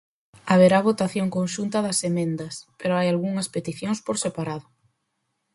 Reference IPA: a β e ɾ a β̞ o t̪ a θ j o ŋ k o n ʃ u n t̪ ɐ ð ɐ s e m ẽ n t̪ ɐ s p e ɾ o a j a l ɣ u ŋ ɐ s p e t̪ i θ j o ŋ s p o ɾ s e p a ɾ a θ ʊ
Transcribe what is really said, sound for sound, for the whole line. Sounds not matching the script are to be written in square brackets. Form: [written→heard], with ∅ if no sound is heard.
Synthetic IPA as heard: a β e ɾ a β̞ o t̪ a θ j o ŋ k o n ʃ u n t̪ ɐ ð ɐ s e m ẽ n [t̪→d̪] ɐ s p e ɾ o a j a l ɣ u ŋ ɐ s p e t̪ i θ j o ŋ s p o ɾ s e p a ɾ a [θ→ð] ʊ